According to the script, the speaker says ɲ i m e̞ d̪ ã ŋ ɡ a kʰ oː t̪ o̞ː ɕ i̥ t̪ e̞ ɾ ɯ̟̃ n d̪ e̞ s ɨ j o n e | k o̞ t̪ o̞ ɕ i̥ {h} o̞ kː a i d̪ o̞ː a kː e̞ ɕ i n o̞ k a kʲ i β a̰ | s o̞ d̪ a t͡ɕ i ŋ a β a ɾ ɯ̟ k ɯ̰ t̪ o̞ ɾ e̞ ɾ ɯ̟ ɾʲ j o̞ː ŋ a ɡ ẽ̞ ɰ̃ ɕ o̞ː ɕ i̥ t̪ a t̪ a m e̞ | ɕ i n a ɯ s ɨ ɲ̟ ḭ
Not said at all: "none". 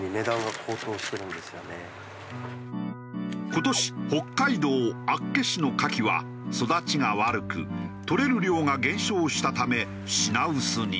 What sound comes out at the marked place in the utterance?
h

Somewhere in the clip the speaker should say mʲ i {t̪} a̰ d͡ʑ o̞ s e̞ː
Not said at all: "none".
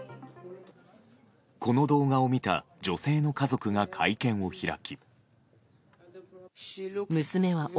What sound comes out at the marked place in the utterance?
t̪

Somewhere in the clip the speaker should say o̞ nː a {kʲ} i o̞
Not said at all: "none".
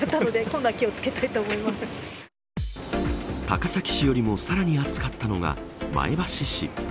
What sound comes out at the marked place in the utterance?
kʲ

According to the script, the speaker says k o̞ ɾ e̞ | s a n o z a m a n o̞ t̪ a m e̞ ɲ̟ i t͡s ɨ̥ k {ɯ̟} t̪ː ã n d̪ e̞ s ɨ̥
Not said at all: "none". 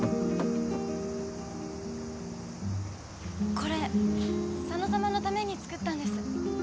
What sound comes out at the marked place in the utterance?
ɯ̟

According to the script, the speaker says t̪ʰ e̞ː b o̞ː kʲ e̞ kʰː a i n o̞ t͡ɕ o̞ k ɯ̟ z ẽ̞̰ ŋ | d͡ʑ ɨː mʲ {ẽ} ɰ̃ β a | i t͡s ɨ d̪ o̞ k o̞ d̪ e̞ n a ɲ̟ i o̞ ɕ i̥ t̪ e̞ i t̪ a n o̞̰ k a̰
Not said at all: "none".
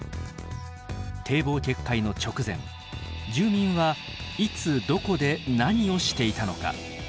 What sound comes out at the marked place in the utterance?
ĩ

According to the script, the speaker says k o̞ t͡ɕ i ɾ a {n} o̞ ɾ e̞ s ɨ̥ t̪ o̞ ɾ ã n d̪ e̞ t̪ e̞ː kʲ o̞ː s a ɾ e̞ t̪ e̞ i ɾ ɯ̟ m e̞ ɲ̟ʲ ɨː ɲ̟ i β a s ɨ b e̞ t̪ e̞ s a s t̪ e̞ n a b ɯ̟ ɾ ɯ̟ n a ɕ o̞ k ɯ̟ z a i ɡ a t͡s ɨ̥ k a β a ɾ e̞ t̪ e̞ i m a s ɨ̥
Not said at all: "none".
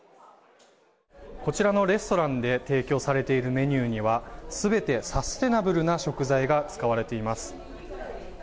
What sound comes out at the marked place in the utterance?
n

